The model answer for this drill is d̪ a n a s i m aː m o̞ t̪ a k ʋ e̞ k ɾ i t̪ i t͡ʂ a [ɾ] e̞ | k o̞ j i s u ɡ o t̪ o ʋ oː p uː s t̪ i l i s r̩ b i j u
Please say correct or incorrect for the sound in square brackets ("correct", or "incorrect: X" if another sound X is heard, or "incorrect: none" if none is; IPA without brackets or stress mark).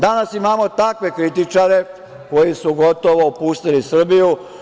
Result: correct